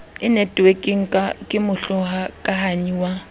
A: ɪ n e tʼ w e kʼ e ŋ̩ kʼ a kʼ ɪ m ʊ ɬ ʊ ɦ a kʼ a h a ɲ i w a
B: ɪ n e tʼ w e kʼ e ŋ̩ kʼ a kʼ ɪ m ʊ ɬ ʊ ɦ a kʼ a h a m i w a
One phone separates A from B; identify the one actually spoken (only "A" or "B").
A